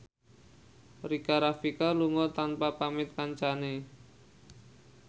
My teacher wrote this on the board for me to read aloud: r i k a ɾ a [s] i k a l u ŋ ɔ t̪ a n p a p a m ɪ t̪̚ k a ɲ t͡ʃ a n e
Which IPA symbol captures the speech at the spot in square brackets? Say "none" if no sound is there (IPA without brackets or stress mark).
f